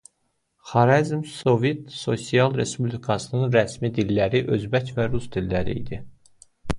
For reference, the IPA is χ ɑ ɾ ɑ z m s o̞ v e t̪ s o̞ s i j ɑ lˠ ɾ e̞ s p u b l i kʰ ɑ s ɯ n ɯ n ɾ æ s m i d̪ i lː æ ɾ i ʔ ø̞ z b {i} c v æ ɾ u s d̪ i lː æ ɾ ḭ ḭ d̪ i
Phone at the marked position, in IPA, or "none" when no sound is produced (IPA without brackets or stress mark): æ